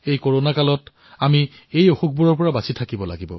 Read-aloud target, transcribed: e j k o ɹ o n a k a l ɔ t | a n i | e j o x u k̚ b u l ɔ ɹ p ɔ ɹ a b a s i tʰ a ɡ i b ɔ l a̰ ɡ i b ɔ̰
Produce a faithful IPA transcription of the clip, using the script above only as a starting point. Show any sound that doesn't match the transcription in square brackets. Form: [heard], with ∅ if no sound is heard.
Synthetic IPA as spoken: e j k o ɹ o n a k a l ɔ t | a [m] i | e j o x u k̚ b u [ɹ] ɔ ɹ p ɔ ɹ a b a s i tʰ a [k] i b ɔ l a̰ ɡ i b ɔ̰